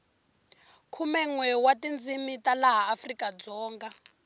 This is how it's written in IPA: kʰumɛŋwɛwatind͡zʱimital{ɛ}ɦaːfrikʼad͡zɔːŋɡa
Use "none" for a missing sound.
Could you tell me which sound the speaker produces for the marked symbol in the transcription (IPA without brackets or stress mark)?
a